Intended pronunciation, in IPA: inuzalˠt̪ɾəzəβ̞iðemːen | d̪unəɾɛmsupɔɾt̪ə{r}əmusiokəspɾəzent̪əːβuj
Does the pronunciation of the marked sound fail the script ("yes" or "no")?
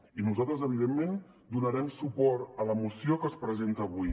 yes